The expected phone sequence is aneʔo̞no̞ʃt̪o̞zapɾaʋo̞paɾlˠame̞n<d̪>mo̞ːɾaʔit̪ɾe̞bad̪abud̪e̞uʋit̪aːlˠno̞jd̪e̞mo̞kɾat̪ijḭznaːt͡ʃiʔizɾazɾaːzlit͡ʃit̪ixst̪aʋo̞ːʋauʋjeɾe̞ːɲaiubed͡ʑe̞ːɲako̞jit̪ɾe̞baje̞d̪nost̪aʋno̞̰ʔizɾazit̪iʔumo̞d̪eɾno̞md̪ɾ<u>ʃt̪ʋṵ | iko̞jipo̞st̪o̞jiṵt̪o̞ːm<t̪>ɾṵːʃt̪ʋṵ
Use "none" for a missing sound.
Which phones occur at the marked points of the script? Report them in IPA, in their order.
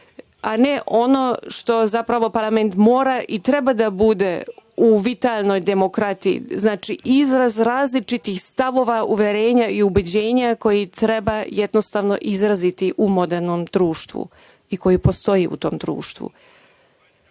t̪, uː, d̪

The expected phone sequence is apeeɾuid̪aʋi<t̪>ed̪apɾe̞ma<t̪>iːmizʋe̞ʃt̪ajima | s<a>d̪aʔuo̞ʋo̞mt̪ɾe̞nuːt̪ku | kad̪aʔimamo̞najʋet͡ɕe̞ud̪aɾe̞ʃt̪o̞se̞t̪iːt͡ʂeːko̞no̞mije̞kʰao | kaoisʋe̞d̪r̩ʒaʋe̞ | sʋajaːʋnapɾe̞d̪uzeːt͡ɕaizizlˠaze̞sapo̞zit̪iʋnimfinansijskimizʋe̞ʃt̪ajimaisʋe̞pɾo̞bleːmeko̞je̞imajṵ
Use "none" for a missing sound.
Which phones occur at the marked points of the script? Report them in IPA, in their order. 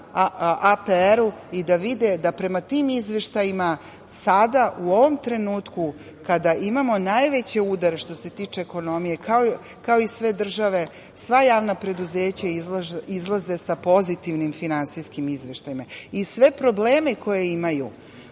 d̪, t̪, a

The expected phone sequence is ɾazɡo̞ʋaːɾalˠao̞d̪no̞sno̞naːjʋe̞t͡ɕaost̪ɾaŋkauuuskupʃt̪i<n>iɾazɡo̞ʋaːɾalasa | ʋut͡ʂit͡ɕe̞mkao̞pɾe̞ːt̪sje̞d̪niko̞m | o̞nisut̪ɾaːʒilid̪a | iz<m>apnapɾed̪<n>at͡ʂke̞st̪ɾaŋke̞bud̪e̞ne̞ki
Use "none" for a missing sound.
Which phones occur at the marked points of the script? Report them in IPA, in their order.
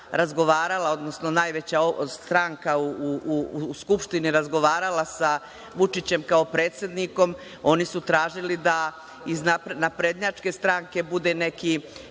n, n, ɲ

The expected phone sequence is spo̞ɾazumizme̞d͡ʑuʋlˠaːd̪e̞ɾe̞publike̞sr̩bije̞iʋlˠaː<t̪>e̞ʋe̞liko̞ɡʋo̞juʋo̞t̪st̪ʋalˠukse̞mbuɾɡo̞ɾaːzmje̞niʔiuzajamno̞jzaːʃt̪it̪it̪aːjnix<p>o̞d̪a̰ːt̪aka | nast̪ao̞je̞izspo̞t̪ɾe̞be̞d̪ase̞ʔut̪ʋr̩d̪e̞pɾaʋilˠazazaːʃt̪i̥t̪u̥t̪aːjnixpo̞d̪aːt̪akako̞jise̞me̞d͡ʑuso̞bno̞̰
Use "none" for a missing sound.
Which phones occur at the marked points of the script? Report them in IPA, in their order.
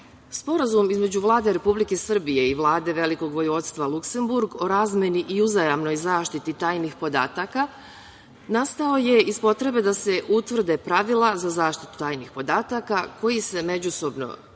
d̪, p

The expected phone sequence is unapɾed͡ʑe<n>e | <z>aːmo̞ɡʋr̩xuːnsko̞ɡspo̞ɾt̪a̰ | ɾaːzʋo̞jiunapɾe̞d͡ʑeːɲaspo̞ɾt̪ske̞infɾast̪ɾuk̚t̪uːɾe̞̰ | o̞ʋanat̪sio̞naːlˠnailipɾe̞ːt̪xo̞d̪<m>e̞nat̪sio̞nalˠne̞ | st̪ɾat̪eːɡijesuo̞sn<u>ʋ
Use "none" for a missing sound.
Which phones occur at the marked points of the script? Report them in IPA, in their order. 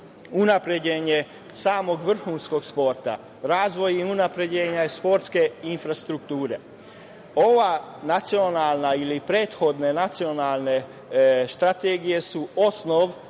ɲ, s, n, o

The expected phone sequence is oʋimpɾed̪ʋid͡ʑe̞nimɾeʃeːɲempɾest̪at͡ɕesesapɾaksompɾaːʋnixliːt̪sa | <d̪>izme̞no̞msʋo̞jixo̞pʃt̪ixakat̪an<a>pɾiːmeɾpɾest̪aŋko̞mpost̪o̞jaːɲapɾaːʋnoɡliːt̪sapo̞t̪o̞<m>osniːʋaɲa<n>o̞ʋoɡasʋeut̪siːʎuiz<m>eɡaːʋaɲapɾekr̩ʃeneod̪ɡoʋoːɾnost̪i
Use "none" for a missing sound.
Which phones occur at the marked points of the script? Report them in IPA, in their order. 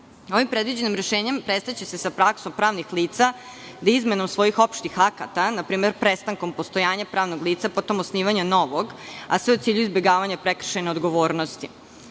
d̪, a, m, n, b

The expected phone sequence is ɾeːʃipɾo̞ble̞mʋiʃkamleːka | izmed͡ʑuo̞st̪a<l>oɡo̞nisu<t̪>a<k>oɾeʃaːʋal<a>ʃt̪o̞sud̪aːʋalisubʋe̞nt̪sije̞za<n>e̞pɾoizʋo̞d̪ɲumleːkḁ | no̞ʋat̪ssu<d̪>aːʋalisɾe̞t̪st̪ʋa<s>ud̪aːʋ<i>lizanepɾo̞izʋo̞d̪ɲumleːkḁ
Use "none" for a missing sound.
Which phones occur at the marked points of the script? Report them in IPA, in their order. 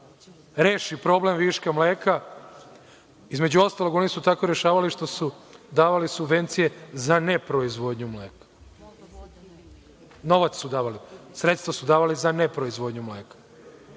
l, t̪, k, i, n, d̪, s, a

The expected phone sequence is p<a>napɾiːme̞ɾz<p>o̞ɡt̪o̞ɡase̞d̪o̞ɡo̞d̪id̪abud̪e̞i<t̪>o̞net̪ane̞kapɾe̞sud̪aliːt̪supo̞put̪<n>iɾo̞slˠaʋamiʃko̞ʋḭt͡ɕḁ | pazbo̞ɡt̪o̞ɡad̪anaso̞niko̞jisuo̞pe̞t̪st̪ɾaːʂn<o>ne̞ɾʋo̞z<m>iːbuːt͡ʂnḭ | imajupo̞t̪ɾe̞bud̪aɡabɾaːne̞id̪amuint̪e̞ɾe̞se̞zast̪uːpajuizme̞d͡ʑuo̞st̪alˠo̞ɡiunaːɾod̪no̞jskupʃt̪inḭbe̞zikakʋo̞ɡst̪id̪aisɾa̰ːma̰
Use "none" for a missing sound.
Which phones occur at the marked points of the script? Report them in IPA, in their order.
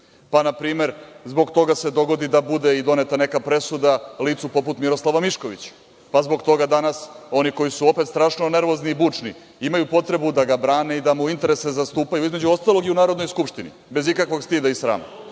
a, b, d̪, m, o, n

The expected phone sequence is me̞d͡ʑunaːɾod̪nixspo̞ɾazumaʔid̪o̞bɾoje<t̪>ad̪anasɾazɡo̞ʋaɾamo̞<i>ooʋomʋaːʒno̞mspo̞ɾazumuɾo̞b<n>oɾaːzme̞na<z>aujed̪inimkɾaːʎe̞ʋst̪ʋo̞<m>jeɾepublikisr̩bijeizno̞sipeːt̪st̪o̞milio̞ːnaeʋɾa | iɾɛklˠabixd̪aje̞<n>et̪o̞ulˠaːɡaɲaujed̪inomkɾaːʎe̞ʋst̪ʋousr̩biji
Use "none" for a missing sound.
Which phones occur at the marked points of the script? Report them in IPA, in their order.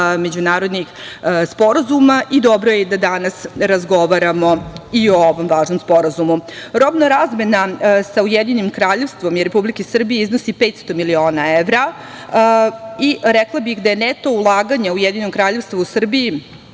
d̪, i, n, s, m, n

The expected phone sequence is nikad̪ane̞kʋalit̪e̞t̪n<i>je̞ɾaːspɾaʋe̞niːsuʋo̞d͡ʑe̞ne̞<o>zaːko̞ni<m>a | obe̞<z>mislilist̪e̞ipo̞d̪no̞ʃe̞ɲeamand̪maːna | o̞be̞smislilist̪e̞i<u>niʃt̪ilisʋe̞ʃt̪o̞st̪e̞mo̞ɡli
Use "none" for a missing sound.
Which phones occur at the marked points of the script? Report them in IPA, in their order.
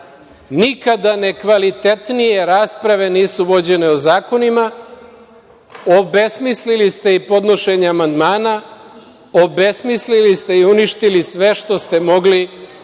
i, o, m, s, u

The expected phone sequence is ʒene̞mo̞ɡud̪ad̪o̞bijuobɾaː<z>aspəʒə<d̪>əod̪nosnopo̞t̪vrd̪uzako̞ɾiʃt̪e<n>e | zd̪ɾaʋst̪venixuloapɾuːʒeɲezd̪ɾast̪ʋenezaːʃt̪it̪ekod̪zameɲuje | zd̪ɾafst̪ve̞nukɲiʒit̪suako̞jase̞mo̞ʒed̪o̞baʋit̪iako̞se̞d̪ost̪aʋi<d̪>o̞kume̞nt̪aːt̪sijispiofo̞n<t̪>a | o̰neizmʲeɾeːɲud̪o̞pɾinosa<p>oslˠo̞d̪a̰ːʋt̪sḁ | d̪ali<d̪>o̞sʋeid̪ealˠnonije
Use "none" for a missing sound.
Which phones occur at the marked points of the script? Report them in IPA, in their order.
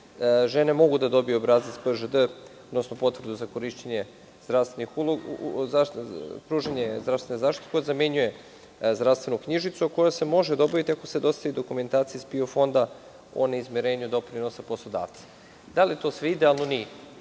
z, d̪, ɲ, d̪, d̪, p, t̪

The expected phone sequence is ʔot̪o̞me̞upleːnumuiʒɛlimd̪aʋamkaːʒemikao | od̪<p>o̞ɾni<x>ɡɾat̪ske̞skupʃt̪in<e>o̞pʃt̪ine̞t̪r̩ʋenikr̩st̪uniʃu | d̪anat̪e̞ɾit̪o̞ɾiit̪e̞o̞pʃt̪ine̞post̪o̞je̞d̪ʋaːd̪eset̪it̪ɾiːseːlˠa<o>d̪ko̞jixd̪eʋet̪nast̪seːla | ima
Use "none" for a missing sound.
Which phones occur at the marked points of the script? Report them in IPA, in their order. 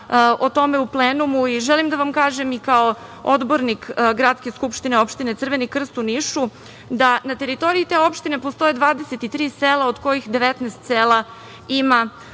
b, k, e, o

